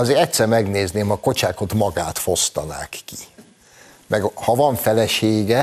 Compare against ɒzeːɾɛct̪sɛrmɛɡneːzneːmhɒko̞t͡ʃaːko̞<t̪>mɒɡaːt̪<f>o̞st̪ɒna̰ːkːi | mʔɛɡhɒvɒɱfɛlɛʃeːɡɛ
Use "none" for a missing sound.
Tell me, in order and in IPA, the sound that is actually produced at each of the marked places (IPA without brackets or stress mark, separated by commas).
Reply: t̪, f